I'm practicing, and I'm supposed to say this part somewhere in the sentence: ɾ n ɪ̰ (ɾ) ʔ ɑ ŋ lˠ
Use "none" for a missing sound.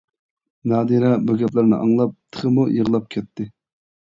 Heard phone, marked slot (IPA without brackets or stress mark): none